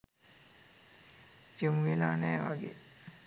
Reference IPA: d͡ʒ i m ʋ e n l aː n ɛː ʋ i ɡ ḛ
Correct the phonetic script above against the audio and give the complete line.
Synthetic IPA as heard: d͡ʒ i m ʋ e l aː n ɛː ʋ a ɡ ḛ